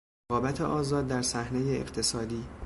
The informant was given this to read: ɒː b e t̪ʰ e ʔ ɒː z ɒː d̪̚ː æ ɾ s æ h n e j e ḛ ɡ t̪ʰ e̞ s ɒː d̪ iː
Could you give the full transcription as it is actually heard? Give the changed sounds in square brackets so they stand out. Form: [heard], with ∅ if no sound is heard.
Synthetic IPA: ɒː b [æ] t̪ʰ e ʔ ɒː z ɒː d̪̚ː æ ɾ s æ h n e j e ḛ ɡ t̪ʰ e̞ s ɒː d̪ iː